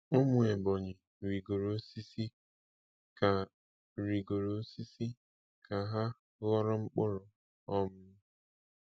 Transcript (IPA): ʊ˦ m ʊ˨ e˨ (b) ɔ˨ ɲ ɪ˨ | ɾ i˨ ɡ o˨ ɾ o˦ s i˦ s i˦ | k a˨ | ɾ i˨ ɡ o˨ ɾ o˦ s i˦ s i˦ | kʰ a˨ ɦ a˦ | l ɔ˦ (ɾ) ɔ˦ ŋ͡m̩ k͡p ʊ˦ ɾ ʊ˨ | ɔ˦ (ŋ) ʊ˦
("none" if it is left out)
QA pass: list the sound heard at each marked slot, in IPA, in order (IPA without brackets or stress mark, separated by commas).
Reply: b, ɾ, m